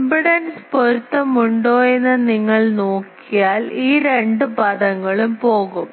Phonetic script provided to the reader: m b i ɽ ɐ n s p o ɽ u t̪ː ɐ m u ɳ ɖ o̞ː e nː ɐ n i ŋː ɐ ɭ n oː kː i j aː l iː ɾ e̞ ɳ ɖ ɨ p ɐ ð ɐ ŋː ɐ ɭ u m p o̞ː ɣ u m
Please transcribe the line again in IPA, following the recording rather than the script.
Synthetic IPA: m b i ɽ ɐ n s p o ɾ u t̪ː ɐ m u ɳ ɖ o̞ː e nː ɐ n i ŋː ɐ ɭ n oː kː i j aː l iː ɾ e̞ ɳ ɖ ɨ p ɐ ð ɐ ŋː ɐ ɭ u m p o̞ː ɣ u m